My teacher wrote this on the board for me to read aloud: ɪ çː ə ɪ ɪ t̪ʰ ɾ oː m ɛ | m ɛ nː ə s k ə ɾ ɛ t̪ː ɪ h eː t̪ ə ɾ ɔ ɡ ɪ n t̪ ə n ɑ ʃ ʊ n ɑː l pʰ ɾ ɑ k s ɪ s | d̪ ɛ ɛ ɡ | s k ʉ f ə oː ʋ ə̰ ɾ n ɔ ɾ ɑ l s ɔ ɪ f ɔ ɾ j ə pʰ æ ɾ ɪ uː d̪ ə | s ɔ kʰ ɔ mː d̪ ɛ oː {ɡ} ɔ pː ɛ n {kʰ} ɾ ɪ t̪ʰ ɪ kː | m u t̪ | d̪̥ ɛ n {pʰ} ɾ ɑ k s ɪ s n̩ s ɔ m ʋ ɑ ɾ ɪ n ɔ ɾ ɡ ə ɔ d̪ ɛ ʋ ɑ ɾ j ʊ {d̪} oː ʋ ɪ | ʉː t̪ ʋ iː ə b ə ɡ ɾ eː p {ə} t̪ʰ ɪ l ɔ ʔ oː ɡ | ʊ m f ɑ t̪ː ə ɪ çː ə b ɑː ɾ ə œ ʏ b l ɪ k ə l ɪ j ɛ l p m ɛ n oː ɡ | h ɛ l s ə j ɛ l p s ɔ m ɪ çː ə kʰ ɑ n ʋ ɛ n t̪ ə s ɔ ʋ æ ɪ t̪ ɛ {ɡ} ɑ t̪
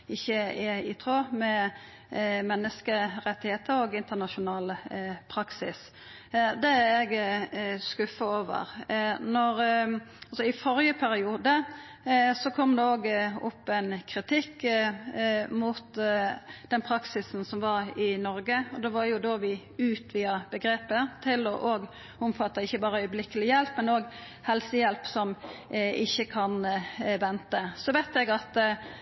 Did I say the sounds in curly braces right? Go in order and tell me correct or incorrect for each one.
correct, correct, correct, correct, correct, correct

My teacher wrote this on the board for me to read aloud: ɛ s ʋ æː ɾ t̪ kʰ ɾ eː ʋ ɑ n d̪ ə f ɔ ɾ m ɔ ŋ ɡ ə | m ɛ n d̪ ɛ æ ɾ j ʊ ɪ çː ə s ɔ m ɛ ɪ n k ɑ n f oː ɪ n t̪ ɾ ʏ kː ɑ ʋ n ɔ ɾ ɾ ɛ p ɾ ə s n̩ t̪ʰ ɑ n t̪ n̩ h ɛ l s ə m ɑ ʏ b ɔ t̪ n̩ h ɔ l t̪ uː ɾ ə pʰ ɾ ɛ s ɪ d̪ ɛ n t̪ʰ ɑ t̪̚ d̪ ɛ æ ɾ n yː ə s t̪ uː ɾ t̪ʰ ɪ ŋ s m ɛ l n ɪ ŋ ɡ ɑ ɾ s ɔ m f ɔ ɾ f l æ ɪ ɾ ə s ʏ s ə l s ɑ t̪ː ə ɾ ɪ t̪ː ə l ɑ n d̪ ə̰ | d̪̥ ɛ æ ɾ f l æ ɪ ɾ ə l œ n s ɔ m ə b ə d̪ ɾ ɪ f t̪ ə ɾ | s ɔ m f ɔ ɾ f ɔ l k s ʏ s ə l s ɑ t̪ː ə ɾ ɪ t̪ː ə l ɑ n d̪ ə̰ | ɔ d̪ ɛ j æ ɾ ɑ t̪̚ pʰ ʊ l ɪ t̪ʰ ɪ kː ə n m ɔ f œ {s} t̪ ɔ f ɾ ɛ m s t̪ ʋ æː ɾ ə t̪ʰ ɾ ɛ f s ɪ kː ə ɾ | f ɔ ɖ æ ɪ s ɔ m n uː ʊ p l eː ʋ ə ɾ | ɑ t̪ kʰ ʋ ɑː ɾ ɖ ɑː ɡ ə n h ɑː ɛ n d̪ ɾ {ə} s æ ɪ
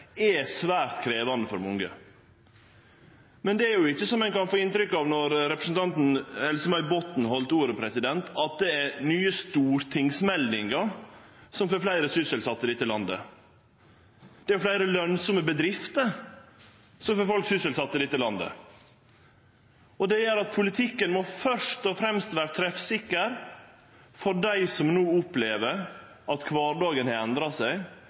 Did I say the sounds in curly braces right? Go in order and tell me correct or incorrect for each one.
incorrect: ʂ, incorrect: ɑ

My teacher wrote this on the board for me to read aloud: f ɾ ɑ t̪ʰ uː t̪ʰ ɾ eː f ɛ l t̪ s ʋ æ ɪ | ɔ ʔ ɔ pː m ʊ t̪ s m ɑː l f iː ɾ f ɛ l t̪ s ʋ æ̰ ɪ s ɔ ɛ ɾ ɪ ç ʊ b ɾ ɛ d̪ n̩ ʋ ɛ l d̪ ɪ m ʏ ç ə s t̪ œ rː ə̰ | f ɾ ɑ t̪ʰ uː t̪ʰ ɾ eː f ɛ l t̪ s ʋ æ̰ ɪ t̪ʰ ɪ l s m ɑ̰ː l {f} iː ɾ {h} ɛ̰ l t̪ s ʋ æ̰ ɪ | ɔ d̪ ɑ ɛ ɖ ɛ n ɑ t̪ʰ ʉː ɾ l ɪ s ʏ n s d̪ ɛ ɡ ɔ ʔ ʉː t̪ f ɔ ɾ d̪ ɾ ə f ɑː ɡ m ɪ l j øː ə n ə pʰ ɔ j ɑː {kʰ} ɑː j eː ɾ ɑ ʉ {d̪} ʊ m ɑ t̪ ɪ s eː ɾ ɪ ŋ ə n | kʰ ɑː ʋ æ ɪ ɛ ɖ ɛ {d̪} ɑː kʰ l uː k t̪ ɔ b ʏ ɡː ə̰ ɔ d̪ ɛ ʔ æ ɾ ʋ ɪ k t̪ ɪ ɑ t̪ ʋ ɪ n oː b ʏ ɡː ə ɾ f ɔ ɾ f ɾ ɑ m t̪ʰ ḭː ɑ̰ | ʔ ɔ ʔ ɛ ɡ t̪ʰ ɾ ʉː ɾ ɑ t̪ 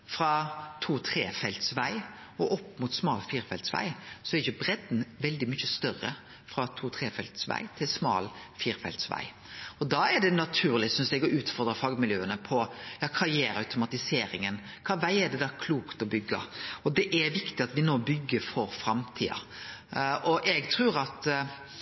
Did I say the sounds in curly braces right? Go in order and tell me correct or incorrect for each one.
correct, incorrect: f, correct, incorrect: t̪, correct

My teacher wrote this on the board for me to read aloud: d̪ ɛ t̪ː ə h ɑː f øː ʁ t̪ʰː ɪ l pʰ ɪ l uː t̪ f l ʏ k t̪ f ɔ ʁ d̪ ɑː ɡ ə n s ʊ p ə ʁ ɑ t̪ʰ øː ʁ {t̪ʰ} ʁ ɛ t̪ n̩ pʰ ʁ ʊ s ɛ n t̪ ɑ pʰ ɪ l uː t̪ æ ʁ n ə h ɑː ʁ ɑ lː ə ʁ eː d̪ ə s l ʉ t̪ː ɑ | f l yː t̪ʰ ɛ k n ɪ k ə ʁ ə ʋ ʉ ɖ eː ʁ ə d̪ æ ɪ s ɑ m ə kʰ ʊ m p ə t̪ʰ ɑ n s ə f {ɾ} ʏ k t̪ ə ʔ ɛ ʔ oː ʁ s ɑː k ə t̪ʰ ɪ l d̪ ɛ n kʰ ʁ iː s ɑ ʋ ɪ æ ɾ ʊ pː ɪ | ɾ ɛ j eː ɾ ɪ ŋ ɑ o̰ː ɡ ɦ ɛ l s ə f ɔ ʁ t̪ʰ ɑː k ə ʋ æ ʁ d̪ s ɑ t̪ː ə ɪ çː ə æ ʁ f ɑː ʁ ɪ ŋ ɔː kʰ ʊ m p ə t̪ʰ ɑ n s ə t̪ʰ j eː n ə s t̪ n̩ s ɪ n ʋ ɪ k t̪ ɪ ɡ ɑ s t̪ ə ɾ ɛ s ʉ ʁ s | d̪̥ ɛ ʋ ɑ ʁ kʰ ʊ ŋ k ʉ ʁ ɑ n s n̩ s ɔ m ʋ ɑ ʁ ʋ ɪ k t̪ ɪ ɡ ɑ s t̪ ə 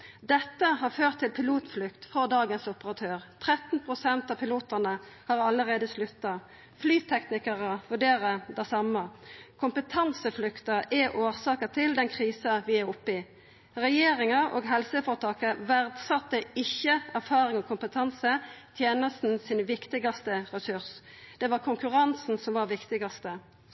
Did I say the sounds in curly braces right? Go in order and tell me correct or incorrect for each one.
correct, incorrect: l

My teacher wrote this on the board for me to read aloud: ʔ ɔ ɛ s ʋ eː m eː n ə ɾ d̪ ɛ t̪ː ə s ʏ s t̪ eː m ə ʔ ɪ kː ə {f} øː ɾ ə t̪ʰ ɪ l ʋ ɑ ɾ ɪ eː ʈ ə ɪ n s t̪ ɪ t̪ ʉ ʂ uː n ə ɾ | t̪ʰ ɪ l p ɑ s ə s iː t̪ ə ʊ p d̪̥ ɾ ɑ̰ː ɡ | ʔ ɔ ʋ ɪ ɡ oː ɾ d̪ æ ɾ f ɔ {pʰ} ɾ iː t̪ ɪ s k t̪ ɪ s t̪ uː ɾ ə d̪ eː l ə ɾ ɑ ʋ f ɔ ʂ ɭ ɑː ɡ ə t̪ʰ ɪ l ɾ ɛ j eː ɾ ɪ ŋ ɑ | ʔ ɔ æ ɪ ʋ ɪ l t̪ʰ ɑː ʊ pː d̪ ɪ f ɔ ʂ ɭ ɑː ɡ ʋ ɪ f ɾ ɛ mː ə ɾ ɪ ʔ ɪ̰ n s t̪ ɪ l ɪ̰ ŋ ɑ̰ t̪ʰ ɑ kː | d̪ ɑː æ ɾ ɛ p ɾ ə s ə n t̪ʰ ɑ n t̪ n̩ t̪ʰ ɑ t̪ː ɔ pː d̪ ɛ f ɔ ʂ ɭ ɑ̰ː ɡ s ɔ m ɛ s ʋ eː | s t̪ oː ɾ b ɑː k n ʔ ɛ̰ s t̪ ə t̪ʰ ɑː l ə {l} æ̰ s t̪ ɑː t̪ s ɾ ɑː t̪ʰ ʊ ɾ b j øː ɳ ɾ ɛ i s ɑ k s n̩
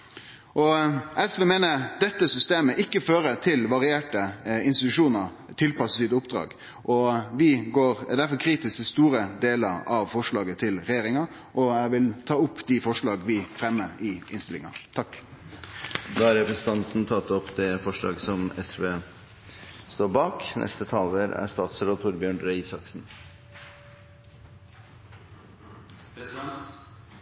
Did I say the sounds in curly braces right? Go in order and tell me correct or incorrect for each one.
correct, incorrect: kʰ, incorrect: ɾ

